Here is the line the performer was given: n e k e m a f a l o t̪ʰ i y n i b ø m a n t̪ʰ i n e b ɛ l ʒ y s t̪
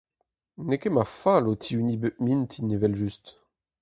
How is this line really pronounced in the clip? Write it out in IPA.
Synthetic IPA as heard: n e k e m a f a l o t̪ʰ i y n i b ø m i n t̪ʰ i n e v ɛ l ʒ y s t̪